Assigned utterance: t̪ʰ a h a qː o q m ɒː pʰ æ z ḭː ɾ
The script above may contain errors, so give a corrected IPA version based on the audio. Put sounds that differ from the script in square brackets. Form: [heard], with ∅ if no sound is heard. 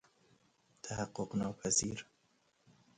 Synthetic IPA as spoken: t̪ʰ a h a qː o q [n] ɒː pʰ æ z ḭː ɾ